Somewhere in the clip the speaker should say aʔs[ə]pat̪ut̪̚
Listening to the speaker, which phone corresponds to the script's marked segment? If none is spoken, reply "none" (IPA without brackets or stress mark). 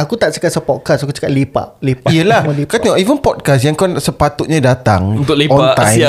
ə